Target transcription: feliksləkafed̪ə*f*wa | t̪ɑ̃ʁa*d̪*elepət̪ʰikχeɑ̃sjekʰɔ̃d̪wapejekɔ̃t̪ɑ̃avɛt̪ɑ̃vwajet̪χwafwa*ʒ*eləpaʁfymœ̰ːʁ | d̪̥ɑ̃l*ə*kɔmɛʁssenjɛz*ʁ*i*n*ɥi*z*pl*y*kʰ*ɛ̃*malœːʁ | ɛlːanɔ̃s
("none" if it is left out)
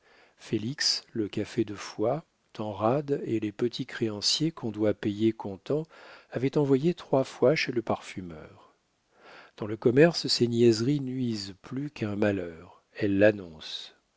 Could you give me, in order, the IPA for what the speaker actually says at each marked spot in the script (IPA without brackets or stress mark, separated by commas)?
f, d̪, ʃ, ə, ʁ, n, z, y, ɛ̃